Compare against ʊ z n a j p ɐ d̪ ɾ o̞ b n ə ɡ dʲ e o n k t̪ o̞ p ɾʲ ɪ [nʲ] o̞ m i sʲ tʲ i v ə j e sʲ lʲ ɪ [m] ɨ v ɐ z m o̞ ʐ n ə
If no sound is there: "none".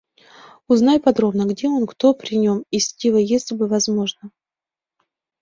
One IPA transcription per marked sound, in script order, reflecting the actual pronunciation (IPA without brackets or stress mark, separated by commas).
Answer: nʲ, b